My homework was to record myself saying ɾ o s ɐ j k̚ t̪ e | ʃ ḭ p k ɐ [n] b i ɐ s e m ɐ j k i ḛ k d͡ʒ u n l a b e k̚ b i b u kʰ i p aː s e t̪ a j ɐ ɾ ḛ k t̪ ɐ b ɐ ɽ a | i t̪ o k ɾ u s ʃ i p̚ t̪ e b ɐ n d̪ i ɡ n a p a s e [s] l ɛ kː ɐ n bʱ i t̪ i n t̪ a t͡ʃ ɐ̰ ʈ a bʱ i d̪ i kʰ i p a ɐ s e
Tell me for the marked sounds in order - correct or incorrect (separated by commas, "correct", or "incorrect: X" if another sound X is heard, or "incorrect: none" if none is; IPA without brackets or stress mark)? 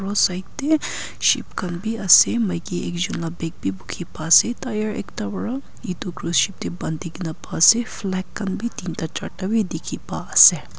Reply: correct, incorrect: f